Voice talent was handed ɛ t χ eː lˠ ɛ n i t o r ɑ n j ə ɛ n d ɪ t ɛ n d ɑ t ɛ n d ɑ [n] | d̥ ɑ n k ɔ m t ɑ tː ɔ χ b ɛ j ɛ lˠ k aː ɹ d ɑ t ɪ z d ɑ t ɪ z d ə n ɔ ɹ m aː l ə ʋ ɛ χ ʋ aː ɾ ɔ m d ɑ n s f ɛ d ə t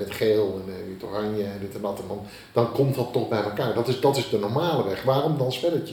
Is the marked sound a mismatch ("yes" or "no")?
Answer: no